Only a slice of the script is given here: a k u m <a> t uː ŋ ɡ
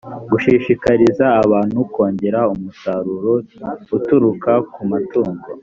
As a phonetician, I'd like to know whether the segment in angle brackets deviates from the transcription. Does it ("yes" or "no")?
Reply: no